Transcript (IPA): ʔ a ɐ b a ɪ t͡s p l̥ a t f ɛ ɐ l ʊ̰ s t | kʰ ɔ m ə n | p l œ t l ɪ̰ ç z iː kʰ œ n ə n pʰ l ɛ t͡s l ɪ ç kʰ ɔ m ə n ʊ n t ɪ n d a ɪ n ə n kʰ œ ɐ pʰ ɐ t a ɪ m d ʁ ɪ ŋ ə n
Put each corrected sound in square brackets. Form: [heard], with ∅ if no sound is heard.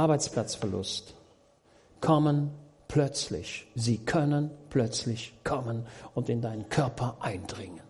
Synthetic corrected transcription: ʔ a ɐ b a ɪ t͡s p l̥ a [t͡s] f ɛ ɐ l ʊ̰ s t | kʰ ɔ m ə n | p l œ [t͡s] l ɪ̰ ç z iː kʰ œ n ə n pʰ l [œ] t͡s l ɪ ç kʰ ɔ m ə n ʊ n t ɪ n d a ɪ n ə n kʰ œ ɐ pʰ ɐ [ʔ] a ɪ [n] d ʁ ɪ ŋ ə n